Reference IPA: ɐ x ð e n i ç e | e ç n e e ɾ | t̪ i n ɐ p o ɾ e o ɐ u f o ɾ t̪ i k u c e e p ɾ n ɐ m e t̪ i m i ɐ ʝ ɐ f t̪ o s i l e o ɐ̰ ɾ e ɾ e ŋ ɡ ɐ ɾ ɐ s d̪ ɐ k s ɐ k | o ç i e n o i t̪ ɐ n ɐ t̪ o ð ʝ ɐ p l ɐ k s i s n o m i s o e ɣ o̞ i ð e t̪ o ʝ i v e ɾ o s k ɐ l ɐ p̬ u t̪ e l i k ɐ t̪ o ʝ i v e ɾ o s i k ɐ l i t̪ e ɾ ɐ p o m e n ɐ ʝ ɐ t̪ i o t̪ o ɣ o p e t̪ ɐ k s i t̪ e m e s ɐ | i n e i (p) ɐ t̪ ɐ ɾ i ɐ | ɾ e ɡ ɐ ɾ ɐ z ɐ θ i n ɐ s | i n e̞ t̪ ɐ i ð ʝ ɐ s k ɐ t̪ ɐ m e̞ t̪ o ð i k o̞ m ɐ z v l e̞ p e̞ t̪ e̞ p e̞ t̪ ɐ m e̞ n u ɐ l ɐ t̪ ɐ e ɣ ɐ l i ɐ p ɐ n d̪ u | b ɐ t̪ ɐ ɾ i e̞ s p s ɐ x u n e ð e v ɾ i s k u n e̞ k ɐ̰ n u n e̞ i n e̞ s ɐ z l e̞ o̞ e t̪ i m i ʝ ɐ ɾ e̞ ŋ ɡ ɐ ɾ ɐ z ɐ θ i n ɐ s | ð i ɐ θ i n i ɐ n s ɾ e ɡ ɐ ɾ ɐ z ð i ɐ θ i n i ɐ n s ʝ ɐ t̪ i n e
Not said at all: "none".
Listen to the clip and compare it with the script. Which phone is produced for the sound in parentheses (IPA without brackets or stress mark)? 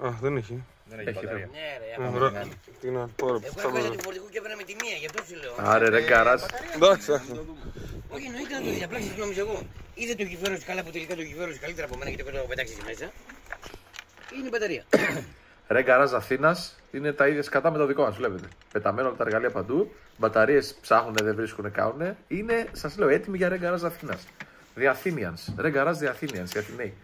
b